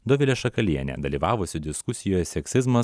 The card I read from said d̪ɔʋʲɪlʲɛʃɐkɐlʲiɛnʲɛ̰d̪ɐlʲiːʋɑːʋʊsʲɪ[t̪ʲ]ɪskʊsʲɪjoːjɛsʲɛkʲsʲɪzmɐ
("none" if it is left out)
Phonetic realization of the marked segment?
d̪ʲ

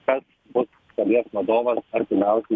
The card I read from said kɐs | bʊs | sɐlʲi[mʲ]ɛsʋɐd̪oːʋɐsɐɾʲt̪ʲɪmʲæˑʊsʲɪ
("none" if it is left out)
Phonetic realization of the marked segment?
none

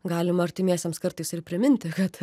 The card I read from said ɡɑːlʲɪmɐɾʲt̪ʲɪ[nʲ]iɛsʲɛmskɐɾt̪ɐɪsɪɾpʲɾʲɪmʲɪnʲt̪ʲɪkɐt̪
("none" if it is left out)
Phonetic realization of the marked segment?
mʲ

